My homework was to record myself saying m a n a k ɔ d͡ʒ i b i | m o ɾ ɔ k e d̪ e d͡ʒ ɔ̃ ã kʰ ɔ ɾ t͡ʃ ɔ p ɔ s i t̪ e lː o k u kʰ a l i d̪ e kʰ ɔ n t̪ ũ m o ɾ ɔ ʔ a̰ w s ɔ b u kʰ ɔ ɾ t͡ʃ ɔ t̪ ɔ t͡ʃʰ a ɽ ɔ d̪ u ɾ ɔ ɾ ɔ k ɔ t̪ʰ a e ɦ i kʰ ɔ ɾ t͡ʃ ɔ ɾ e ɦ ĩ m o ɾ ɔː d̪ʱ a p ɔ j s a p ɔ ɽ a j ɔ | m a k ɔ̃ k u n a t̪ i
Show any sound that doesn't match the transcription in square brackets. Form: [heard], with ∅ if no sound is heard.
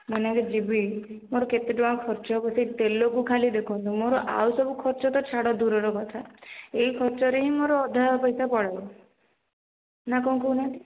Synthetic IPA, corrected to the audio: m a n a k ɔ d͡ʒ i b i | m o ɾ ɔ k e [t̪] e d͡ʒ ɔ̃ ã kʰ ɔ ɾ t͡ʃ ɔ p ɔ s i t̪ e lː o k u kʰ a l i d̪ e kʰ ɔ n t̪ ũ m o ɾ ɔ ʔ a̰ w s ɔ b u kʰ ɔ ɾ t͡ʃ ɔ t̪ ɔ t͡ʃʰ a ɽ ɔ d̪ u ɾ ɔ ɾ ɔ k ɔ t̪ʰ a e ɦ i kʰ ɔ ɾ t͡ʃ ɔ ɾ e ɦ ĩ m o ɾ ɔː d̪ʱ a p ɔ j s a p ɔ ɽ a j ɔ | [n] a k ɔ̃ k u n a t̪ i